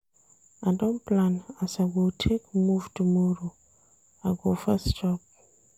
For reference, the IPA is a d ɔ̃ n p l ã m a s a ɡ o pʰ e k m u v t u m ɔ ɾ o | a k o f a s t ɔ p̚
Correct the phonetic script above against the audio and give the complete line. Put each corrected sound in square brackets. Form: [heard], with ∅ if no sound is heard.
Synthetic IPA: a d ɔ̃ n p l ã [n] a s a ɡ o [tʰ] e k m u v t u m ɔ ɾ o | a [ɡ] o f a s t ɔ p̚